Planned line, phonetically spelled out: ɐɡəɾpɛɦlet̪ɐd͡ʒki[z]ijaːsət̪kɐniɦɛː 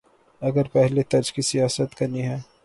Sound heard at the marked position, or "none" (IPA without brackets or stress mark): s